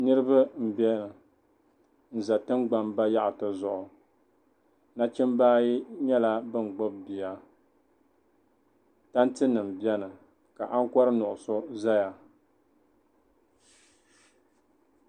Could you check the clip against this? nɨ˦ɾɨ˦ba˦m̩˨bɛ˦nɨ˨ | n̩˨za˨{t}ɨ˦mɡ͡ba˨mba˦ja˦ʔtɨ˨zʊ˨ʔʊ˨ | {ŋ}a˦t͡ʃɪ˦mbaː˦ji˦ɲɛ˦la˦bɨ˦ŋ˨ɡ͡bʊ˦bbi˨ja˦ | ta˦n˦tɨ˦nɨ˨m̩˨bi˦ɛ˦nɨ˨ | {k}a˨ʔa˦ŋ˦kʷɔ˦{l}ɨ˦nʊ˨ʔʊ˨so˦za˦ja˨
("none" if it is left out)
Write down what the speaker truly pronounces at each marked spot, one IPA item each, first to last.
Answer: t, n, k, ɾ

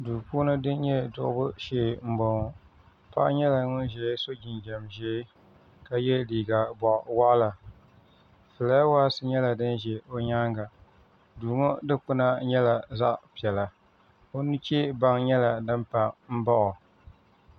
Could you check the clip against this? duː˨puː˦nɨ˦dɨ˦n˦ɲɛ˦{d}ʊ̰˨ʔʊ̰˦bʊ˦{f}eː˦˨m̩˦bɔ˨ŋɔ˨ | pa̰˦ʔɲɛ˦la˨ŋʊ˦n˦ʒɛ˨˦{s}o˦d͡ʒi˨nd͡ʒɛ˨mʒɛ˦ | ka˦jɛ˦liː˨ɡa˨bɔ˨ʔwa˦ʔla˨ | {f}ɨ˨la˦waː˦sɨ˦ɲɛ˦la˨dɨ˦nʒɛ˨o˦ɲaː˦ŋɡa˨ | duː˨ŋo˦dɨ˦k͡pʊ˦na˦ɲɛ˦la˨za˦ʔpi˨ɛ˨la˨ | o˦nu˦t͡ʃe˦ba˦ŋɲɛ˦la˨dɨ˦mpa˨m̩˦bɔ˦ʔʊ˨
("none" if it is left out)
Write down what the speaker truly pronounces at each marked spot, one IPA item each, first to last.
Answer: d, ʃ, s, f

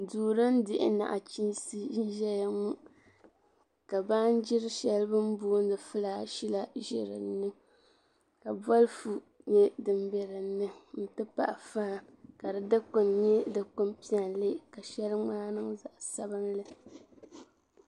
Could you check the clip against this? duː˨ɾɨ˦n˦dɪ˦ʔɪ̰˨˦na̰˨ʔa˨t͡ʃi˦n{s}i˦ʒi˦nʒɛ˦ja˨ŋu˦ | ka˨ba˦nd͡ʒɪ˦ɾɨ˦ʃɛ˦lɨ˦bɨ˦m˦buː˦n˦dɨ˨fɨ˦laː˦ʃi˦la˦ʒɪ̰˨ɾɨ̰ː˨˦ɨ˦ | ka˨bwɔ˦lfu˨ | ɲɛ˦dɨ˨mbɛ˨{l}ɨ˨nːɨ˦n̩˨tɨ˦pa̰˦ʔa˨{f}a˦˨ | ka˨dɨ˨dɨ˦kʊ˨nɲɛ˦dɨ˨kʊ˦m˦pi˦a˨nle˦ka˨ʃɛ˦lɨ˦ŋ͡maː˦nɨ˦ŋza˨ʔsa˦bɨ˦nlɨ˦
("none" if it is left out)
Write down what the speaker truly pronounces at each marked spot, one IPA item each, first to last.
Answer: s, ɾ, f

